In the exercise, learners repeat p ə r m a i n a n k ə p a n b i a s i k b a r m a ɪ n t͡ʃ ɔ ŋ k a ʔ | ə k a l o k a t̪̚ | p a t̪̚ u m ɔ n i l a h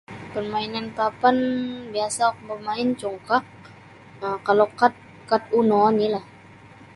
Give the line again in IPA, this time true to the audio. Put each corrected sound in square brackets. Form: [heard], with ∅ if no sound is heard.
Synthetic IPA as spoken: p ə r m a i n a n k [a] p a n b i a s [a] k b [ə] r m a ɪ n t͡ʃ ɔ ŋ k a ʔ | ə k a l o k a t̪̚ | [k] a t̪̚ u [n] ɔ n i l a h

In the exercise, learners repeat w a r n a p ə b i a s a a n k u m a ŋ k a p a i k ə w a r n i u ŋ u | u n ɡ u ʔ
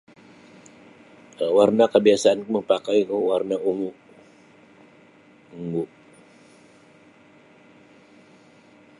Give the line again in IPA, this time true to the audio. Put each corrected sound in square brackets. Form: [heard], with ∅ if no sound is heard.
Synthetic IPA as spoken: w a r n a [k] ə b i a s a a n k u m [ə] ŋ [p] a [k] a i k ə w a r n [a] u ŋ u | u [ŋ] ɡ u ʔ

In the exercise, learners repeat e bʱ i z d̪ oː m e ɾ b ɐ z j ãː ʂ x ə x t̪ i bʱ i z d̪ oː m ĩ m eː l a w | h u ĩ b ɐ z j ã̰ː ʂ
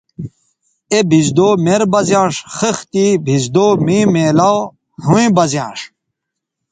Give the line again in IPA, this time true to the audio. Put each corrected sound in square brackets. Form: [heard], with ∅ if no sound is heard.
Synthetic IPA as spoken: e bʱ i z d̪ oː m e ɾ b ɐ z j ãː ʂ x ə x t̪ i bʱ i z d̪ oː m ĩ m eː l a w | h u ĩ b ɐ z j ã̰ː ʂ

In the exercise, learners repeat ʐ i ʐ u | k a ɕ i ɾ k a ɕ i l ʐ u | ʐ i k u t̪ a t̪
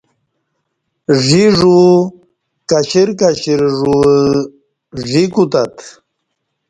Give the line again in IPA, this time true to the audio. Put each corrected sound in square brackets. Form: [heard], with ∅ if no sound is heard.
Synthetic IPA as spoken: ʐ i ʐ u | k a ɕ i ɾ k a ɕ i [ɾ] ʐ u | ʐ i k u t̪ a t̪

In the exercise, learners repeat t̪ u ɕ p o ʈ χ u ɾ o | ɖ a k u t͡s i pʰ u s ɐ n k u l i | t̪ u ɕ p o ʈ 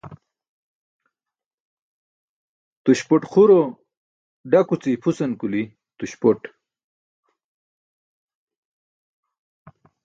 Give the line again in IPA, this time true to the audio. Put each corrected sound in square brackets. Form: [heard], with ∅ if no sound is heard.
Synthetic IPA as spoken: t̪ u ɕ p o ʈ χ u ɾ o | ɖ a k u t͡s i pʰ u s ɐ n k u l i | t̪ u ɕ p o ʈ

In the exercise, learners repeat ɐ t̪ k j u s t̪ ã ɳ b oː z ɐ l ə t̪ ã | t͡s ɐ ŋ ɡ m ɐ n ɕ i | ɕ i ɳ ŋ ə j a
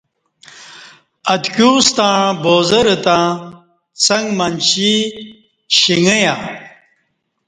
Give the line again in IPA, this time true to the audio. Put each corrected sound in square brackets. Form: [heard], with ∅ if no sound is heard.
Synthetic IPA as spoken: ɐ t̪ k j u s t̪ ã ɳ b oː z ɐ [ɾ] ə t̪ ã | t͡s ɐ ŋ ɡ m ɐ n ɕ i | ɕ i [∅] ŋ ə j a

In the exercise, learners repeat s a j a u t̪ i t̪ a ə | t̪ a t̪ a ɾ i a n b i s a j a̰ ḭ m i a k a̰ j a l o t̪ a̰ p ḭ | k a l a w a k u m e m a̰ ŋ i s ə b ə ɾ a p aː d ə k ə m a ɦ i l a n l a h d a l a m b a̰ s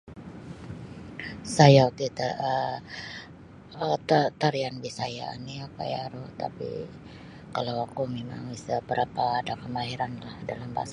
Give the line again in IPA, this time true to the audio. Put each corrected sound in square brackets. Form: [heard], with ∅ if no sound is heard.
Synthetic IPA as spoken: s a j a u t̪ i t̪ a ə | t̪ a t̪ a ɾ i a n b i s a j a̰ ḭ [n] i a k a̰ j a [ɾ] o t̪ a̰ p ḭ | k a l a w a k u m e m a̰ ŋ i s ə b ə ɾ a p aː d [a] k ə m a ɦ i [ɾ] a n l a h d a l a m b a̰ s

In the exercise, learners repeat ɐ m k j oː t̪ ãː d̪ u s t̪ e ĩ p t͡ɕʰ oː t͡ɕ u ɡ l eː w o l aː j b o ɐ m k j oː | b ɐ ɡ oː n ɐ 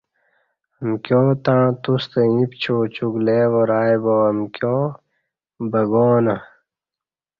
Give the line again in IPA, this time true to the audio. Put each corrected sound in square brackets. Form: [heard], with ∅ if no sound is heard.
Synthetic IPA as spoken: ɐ m k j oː t̪ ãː [t̪] u s t̪ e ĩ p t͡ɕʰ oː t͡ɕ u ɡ l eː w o [ɾ] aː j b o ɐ m k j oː | b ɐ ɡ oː n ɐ

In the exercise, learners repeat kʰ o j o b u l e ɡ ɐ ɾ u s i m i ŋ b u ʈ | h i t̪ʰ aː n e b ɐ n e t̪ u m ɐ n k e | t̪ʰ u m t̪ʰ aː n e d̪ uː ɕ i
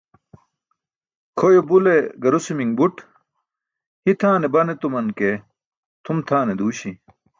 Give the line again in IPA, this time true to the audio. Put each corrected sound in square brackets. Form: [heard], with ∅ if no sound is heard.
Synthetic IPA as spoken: kʰ o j o b u l e ɡ ɐ ɾ u s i m i ŋ b u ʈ | h i t̪ʰ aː n e b ɐ n e t̪ u m ɐ n k e | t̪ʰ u m t̪ʰ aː n e d̪ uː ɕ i

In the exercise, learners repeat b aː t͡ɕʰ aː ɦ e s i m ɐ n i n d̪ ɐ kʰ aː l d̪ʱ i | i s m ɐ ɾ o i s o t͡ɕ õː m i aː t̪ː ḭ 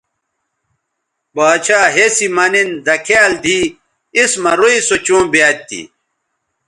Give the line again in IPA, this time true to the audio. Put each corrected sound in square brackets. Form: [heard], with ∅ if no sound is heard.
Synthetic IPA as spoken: b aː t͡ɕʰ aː ɦ e s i m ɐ n i n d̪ ɐ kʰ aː l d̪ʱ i | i s m ɐ ɾ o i s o t͡ɕ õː [b] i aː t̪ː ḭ

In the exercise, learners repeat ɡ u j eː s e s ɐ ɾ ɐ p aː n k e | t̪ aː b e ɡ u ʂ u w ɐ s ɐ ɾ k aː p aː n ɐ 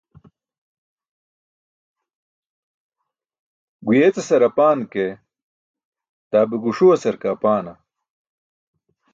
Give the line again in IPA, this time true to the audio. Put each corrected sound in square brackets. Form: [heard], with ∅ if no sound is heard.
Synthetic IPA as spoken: ɡ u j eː [t͡s] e s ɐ ɾ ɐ p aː n k e | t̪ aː b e ɡ u ʂ u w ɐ s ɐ ɾ k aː p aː n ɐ

